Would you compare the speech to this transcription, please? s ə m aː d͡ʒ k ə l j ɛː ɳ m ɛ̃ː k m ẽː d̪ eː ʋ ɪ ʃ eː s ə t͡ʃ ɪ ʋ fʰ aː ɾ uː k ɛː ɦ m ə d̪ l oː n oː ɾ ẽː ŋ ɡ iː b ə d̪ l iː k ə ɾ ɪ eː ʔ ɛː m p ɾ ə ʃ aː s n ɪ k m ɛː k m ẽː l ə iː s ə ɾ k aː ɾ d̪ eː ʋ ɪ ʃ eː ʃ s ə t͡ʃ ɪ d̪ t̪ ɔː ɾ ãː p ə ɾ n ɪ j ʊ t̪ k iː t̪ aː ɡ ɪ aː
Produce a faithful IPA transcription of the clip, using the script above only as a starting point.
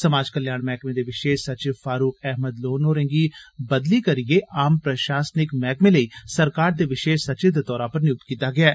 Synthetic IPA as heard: s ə m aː d͡ʒ k ə l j aː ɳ m ɛː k m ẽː d̪ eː ʋ ɪ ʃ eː s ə t͡ʃ ɪ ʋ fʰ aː ɾ uː k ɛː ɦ m ə d̪ l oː n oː ɾ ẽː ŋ ɡ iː b ə d̪ l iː k ə ɾ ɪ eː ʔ aː m p ɾ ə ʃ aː s n ɪ k m ɛː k m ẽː l ə iː s ə ɾ k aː ɾ d̪ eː ʋ ɪ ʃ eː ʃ s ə t͡ʃ ɪ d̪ t̪ ɔː ɾ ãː p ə ɾ n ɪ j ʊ t̪ k iː t̪ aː ɡ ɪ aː